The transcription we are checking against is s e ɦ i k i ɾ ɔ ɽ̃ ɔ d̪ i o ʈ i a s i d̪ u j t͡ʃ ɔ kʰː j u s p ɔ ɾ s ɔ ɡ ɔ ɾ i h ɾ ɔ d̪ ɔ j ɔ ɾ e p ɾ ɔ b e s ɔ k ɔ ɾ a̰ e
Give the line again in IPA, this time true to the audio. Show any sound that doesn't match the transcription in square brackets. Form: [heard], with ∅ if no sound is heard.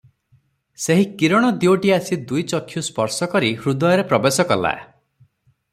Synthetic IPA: s e ɦ i k i ɾ ɔ ɽ̃ ɔ d̪ i o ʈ i a s i d̪ u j t͡ʃ ɔ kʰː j u s p ɔ ɾ s ɔ [k] ɔ ɾ i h ɾ [u] d̪ ɔ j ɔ ɾ e p ɾ ɔ b e s ɔ k ɔ [l] a̰ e